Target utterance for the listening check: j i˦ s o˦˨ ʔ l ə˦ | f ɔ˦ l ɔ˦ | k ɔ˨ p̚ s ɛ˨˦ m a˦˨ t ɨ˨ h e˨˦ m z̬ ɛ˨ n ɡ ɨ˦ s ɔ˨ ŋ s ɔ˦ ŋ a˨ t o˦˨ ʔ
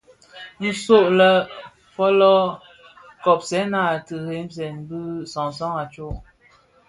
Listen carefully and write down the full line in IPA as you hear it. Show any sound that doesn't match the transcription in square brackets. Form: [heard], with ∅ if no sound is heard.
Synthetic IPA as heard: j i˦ s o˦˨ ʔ l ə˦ | f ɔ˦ l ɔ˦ | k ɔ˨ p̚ s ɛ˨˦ [n] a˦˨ t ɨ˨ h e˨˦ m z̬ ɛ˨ n [b] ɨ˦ s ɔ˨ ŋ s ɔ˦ ŋ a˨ [t͡ʃ] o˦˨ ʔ